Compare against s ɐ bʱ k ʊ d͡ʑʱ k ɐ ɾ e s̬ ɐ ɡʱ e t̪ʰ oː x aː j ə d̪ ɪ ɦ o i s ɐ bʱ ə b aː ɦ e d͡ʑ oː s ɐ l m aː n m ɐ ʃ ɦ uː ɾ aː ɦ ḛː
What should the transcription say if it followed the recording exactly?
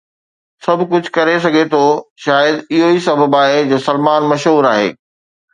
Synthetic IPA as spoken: s ɐ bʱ k ʊ d͡ʑʱ k ɐ ɾ e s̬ ɐ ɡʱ e t̪ʰ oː ʃ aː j ə d̪ ɪ ɦ o i s ɐ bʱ ə b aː ɦ e d͡ʑ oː s ɐ l m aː n m ɐ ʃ ɦ uː ɾ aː ɦ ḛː